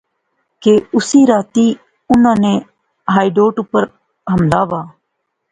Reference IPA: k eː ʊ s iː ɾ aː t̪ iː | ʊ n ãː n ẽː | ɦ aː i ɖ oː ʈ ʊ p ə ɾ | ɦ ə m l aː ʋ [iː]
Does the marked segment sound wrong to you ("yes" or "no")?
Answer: yes